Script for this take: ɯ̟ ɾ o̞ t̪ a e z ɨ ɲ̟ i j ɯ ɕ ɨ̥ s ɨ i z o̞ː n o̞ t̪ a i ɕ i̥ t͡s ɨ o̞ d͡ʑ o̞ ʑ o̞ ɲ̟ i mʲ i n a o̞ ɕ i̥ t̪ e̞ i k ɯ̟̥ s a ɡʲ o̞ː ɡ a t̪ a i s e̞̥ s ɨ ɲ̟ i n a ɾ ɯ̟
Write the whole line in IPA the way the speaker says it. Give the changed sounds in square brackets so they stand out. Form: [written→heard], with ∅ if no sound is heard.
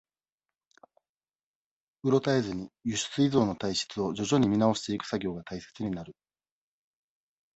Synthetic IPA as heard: ɯ̟ ɾ o̞ t̪ a e z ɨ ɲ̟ i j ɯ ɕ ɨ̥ [s→t͡s] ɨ i z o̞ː n o̞ t̪ a i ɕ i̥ t͡s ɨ o̞ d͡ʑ o̞ ʑ o̞ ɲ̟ i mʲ i n a o̞ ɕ i̥ t̪ e̞ i k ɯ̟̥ s a ɡʲ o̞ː ɡ a t̪ a i s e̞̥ [s→t͡s] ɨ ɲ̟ i n a ɾ ɯ̟